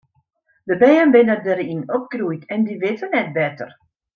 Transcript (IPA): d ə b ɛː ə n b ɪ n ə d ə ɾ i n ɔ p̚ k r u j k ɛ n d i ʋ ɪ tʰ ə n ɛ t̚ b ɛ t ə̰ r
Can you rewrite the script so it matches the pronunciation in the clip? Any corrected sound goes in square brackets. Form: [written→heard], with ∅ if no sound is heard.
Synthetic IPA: d ə b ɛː ə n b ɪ n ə d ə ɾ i n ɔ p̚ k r u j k ɛ n d i ʋ ɪ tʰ ə n ɛ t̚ b ɛ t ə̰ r